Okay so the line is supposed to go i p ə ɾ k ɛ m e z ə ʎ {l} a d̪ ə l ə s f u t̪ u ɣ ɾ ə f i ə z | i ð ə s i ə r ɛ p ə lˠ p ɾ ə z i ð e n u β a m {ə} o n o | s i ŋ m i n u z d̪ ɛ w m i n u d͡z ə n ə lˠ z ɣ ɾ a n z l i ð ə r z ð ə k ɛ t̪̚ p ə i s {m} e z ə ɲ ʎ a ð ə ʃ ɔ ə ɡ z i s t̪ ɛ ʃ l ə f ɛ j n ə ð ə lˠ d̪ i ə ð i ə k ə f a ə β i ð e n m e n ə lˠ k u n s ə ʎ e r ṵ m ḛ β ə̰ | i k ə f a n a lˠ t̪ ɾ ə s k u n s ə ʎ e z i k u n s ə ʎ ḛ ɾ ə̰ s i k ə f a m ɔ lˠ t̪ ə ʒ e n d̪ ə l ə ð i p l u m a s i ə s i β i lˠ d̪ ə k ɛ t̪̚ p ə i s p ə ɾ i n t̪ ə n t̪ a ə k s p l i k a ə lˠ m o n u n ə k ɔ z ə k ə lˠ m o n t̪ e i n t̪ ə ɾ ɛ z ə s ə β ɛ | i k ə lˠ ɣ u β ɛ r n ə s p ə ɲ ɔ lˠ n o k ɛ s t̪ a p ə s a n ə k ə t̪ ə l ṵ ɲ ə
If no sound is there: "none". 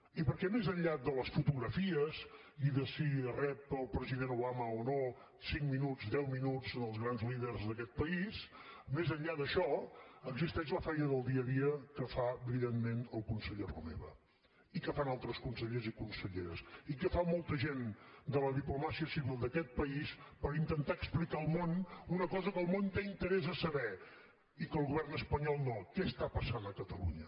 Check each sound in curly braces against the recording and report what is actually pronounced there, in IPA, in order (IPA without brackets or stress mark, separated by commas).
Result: ʎ, ə, m